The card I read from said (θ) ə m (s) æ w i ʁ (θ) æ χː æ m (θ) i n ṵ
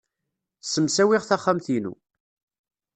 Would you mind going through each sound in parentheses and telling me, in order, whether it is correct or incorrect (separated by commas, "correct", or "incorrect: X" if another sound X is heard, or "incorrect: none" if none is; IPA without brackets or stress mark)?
incorrect: s, correct, correct, correct